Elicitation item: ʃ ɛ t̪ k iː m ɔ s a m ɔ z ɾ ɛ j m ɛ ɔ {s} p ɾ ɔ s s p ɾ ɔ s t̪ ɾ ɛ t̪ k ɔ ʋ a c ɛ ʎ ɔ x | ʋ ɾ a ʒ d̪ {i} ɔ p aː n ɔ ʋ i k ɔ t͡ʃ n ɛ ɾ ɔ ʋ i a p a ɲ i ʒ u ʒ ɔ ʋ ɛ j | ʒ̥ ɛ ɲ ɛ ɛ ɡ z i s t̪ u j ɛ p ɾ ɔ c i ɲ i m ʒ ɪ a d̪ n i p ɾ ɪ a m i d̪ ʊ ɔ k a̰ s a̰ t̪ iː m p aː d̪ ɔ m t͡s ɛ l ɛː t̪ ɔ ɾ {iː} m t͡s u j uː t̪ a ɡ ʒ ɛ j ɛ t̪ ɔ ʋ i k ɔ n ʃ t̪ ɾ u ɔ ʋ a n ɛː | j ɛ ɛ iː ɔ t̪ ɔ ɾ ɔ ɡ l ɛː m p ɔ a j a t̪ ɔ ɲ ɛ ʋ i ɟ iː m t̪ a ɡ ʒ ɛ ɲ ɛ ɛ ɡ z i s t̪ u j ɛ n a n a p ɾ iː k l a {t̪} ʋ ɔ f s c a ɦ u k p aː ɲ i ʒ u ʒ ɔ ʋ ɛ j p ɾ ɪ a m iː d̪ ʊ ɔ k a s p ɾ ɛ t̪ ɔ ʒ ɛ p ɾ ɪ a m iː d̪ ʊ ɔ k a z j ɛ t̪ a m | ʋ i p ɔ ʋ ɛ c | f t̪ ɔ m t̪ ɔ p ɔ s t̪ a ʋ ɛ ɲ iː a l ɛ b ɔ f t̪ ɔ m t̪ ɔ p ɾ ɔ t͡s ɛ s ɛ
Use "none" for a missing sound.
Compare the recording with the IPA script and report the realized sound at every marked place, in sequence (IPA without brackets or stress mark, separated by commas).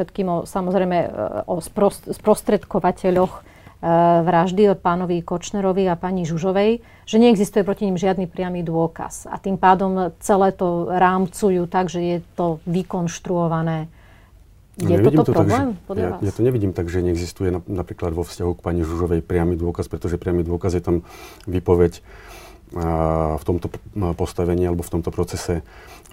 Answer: s, i, aː, d̪